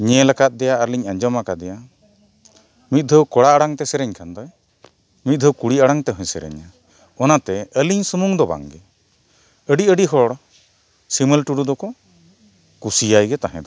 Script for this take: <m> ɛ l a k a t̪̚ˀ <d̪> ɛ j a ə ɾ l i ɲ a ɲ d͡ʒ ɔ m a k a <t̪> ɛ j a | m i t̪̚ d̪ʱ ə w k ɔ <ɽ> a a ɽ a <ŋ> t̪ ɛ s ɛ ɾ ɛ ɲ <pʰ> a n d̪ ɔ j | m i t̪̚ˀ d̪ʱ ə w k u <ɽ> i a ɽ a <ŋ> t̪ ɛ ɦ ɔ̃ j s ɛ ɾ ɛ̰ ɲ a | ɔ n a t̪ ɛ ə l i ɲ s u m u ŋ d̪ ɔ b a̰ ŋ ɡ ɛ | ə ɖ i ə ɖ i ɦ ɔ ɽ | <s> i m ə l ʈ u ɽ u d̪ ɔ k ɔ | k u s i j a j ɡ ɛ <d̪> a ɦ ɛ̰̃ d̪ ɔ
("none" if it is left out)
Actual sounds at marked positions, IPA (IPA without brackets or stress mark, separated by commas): ɲ, d̪, d̪, ɽ, ŋ, kʰ, ɽ, ŋ, s, t̪